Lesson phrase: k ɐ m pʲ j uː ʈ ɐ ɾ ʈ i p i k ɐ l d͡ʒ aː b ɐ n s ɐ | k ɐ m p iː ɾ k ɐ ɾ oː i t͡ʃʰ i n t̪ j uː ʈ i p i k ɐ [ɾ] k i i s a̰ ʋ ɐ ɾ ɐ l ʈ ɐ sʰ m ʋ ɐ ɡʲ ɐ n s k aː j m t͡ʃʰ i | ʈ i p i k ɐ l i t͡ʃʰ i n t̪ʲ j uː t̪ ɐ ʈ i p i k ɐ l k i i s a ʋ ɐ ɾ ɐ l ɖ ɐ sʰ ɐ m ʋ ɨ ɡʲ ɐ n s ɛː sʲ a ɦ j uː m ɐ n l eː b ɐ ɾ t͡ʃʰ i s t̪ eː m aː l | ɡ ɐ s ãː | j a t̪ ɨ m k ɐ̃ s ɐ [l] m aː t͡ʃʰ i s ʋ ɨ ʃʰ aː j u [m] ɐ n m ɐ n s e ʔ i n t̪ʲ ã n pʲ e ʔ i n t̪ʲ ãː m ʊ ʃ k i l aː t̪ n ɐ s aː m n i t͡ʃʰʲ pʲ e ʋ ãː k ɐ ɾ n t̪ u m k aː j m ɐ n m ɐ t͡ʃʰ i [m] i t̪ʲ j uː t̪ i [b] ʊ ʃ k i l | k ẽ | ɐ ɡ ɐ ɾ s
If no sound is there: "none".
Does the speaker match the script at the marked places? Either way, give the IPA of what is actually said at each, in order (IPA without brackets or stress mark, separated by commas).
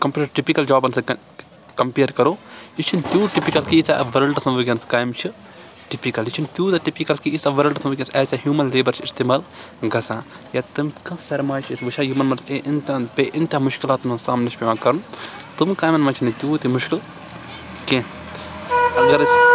l, ɾ, m, n, m